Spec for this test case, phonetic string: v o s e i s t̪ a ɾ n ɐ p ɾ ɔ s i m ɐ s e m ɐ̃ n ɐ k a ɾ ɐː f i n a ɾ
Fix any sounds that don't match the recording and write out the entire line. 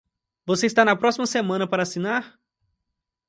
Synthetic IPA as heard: v o s e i s t̪ a n ɐ p ɾ ɔ s i m ɐ s e m ɐ̃ n ɐ p a ɾ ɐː s i n a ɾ